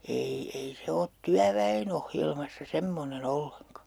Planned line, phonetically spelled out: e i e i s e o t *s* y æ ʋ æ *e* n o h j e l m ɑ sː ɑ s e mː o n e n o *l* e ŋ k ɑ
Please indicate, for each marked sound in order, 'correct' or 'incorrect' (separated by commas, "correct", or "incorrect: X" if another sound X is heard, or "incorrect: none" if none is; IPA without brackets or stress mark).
incorrect: t, correct, incorrect: lː